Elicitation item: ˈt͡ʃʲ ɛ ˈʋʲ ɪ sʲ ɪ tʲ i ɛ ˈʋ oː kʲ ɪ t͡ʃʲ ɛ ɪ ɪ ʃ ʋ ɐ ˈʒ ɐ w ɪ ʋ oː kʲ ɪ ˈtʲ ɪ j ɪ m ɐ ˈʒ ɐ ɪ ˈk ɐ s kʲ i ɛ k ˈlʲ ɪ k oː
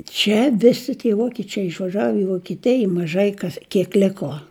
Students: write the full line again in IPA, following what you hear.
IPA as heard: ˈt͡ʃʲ ɛ ˈʋʲ ɪ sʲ ɪ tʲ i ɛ ˈʋ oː kʲ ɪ t͡ʃʲ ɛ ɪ ɪ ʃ ʋ ɐ ˈʒ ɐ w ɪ ʋ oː kʲ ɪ ˈtʲ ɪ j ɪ m ɐ ˈʒ ɐ ɪ ˈk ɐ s kʲ i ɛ k ˈlʲ ɪ k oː

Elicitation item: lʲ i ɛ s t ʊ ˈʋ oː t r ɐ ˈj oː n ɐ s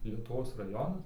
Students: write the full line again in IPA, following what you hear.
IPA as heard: lʲ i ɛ t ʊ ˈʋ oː s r ɐ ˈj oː n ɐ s

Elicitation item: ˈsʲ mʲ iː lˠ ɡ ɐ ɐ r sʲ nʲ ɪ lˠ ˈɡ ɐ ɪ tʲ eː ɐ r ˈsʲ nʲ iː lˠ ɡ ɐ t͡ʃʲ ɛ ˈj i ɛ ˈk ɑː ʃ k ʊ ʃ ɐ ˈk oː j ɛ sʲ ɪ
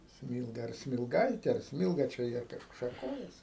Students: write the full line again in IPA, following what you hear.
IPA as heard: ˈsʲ mʲ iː lˠ ɡ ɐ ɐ r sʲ mʲ ɪ lˠ ˈɡ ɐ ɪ tʲ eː ɐ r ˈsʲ mʲ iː lˠ ɡ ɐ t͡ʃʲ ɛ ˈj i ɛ ˈk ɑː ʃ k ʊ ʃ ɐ ˈk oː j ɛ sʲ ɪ

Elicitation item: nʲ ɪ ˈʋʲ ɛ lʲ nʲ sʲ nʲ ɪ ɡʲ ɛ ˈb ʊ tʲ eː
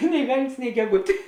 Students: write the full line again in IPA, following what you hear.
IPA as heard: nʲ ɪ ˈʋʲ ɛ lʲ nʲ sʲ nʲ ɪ ɡʲ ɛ ˈɡ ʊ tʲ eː

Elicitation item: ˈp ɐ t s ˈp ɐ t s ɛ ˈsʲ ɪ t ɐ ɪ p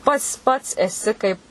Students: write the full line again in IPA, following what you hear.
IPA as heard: ˈp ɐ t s ˈp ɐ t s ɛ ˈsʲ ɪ k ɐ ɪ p

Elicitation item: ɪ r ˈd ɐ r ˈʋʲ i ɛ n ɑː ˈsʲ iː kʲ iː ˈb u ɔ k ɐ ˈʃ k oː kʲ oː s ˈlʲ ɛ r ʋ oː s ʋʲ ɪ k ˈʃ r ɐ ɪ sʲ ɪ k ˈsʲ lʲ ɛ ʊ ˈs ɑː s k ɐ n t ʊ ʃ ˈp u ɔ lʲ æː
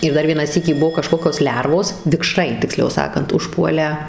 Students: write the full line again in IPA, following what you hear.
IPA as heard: ɪ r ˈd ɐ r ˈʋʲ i ɛ n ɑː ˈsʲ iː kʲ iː ˈb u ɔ k ɐ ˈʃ k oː kʲ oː s ˈlʲ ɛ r ʋ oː s ʋʲ ɪ k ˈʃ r ɐ ɪ tʲ ɪ k ˈsʲ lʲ ɛ ʊ ˈs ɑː k ɐ n t ʊ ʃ ˈp u ɔ lʲ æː

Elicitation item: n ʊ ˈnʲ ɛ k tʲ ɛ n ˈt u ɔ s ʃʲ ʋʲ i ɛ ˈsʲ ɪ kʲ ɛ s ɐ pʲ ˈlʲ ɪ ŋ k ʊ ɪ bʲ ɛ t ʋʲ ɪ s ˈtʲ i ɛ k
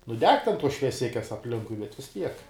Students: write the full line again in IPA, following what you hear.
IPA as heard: n ʊ ˈdʲ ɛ k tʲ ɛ n ˈt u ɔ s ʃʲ ʋʲ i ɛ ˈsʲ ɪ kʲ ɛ s ɐ pʲ ˈlʲ ɪ ŋ k ʊ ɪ bʲ ɛ t ʋʲ ɪ s ˈtʲ i ɛ k

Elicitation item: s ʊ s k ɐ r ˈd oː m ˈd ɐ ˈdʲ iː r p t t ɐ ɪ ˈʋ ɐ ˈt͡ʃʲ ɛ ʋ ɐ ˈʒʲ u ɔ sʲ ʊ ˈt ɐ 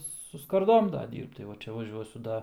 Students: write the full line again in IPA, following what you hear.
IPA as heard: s ʊ s k ɐ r ˈd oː m ˈd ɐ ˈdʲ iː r p t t ɐ ɪ ˈʋ ɐ ˈt͡ʃʲ ɛ ʋ ɐ ˈʒʲ u ɔ sʲ ʊ ˈd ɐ

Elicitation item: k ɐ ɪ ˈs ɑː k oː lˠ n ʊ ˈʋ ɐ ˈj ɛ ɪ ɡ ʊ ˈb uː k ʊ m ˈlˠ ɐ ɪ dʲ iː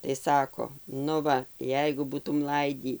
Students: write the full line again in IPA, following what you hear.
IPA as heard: t ɐ ɪ ˈs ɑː k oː n ʊ ˈʋ ɐ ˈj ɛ ɪ ɡ ʊ ˈb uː t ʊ m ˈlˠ ɐ ɪ dʲ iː

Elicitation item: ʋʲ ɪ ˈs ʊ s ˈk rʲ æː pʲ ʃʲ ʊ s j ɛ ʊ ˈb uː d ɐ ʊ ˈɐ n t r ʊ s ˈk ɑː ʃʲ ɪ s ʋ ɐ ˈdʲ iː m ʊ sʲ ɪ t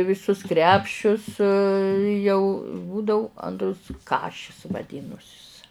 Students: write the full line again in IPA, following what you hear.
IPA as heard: ʋʲ ɪ ˈs ʊ s ˈk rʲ æː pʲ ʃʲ ʊ s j ɛ ʊ ˈb uː d ɐ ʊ ˈɐ n t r ʊ s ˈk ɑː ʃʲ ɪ s ʋ ɐ ˈdʲ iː n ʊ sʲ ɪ s

